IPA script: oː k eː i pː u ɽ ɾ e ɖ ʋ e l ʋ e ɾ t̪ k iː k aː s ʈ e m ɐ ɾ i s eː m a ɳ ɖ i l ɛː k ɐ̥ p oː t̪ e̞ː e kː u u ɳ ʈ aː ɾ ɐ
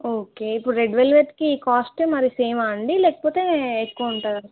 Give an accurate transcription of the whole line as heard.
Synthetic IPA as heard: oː k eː i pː u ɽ ɾ e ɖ ʋ e l ʋ e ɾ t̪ k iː k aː s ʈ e m ɐ ɾ i s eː m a ɳ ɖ i l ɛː k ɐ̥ p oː t̪ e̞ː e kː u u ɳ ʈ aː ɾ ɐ

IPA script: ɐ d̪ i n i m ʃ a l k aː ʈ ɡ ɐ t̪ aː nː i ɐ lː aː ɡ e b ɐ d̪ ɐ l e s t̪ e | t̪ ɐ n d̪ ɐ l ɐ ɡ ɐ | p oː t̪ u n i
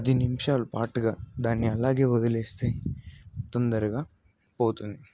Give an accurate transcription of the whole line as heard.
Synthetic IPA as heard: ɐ d̪ i n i m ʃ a l p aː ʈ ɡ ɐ d̪ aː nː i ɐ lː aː ɡ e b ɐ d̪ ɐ l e s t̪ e | t̪ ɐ n d̪ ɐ ɾ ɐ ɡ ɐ | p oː t̪ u n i

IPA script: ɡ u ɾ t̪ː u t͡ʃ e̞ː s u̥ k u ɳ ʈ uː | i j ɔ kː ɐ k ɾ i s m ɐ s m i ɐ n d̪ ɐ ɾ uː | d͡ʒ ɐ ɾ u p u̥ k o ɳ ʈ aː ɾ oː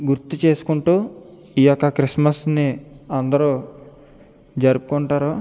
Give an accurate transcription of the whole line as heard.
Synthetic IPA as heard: ɡ u ɾ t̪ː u t͡ʃ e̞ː s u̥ k u ɳ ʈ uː | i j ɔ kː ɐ k ɾ i s m ɐ s n i ɐ n d̪ ɐ ɾ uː | d͡ʒ ɐ ɾ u p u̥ k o ɳ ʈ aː ɾ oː

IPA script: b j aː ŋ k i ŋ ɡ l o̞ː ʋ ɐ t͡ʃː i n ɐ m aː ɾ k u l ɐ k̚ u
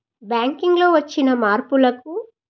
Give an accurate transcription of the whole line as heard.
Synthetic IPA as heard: b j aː ŋ k i ŋ ɡ l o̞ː ʋ ɐ t͡ʃː i n ɐ m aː ɾ p u l ɐ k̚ u

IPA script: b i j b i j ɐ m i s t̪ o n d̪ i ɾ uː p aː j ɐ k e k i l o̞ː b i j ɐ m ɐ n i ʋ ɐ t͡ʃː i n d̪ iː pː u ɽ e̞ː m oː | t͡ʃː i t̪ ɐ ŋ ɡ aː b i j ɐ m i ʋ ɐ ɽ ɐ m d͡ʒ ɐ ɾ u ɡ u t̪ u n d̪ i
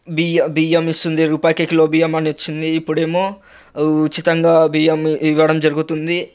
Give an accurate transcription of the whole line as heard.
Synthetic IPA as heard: b i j b i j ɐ m i s t̪ u n d̪ i ɾ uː p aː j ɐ k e k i l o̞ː b i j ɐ m ɐ n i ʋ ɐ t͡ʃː i n d̪ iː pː u ɽ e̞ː m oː | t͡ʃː i t̪ ɐ ŋ ɡ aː b i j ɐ m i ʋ ɐ ɽ ɐ m d͡ʒ ɐ ɾ u ɡ u t̪ u n d̪ i

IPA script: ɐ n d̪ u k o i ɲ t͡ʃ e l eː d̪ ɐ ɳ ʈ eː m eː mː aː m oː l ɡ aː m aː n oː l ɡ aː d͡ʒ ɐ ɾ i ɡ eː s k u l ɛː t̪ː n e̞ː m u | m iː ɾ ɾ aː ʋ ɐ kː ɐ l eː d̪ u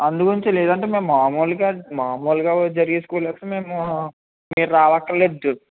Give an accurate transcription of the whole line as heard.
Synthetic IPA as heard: ɐ n d̪ u k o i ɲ t͡ʃ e l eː d̪ ɐ ɳ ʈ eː m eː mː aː m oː l ɡ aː m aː m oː l ɡ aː d͡ʒ ɐ ɾ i ɡ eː s k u l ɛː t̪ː m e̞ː m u | m iː ɾ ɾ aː ʋ ɐ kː ɐ l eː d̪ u

